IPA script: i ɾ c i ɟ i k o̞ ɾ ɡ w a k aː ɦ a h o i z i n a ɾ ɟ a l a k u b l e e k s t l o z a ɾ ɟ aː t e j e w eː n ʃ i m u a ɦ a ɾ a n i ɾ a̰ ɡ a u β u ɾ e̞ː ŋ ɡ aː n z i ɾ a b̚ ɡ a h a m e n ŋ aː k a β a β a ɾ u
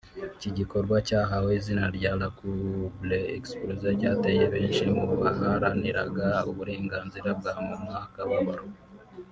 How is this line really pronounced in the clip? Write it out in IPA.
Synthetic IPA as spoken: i c i ɟ i k o̞ ɾ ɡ w a c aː ɦ a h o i z i n a ɾ ɟ a l a k u b l e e k s p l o z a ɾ ɟ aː t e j e β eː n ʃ i m u a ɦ a ɾ a n i ɾ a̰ ɡ a u β u ɾ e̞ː ŋ ɡ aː n z i ɾ a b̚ ɡ a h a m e m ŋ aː k a β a β a ɾ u